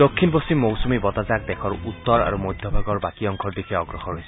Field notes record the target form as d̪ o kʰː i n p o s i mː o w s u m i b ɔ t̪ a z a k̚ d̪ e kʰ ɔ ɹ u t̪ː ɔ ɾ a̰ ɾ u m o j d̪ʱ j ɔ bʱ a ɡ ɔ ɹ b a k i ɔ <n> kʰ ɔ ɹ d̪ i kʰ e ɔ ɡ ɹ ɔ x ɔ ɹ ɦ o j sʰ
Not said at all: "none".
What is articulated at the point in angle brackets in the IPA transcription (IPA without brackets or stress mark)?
ŋ